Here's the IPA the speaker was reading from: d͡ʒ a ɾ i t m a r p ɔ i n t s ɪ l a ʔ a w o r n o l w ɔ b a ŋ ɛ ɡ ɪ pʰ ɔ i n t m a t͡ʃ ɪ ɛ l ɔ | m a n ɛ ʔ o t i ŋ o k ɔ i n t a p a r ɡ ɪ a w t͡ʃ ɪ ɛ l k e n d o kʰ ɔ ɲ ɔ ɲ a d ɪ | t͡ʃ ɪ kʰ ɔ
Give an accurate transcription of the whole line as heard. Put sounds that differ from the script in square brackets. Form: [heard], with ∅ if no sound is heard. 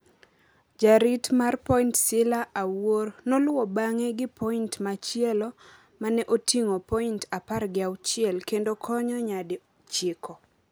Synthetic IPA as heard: d͡ʒ a ɾ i t m a r p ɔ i n t s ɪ l a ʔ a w o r n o l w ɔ b a ŋ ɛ ɡ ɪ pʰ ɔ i n t m a t͡ʃ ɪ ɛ l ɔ | m a n ɛ ʔ o t i ŋ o [p] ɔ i n t a p a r ɡ ɪ a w t͡ʃ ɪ ɛ l k e n d o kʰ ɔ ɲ ɔ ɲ a d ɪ | t͡ʃ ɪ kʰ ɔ